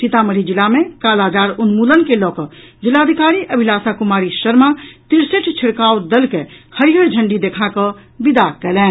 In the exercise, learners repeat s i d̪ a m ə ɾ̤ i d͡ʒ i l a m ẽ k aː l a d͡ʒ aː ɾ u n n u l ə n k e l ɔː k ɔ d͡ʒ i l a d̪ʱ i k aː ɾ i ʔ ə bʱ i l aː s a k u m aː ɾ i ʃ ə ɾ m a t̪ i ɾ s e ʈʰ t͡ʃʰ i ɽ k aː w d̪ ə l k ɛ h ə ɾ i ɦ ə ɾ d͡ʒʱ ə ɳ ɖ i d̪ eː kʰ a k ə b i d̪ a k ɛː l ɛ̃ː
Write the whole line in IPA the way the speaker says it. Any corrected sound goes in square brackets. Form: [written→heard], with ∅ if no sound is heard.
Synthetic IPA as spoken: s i [d̪→t̪] a m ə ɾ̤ i d͡ʒ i l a m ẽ k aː l a d͡ʒ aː ɾ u n [n→m] u l ə n k e l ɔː k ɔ d͡ʒ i l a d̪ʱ i k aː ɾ i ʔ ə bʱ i l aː s a k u m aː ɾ i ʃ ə ɾ m a t̪ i ɾ s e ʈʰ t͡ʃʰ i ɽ k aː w d̪ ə l k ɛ h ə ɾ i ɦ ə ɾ d͡ʒʱ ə ɳ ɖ i d̪ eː kʰ a k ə b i d̪ a k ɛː l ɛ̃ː